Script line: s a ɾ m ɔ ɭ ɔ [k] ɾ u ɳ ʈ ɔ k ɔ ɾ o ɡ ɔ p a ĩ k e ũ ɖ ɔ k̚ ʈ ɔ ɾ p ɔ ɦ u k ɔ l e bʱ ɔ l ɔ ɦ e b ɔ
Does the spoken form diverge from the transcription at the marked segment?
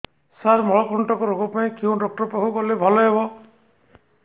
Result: no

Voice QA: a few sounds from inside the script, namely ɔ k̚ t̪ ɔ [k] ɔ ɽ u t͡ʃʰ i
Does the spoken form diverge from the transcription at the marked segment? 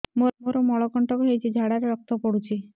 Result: yes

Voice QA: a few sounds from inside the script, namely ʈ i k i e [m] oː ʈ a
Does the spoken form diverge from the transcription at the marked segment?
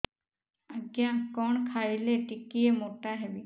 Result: no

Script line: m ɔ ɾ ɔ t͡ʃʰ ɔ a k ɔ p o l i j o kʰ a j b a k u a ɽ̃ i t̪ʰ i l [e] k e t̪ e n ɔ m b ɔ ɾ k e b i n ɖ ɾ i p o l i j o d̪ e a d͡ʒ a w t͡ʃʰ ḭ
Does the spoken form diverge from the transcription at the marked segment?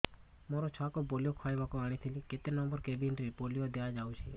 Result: yes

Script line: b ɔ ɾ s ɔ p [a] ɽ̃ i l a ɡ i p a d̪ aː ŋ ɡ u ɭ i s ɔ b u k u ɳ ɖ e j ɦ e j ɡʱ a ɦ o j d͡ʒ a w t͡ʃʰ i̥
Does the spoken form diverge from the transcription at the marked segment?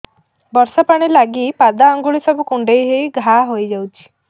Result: no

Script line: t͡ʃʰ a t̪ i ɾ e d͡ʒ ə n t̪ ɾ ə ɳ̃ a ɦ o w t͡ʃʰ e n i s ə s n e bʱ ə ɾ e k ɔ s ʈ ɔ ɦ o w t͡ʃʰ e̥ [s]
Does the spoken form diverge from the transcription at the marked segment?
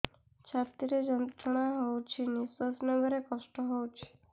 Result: yes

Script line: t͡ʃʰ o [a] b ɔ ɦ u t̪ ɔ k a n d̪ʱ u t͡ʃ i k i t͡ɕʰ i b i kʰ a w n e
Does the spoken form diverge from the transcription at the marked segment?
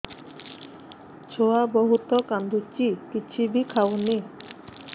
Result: no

